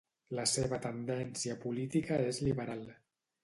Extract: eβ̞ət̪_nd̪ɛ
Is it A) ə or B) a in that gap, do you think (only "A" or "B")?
A